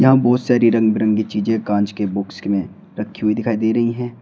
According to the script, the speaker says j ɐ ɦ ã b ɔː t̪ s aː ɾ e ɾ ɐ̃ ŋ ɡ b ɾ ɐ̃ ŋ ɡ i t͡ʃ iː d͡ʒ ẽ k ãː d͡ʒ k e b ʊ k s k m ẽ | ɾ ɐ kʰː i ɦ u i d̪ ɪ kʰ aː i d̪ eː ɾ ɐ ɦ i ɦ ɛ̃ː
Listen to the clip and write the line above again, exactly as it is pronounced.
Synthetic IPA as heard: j ɐ ɦ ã b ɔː t̪ s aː ɾ i ɾ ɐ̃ ŋ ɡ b ɾ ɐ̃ ŋ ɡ i t͡ʃ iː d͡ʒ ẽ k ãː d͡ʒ k e b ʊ k s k m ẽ | ɾ ɐ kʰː i ɦ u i d̪ ɪ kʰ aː i d̪ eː ɾ ɐ ɦ i ɦ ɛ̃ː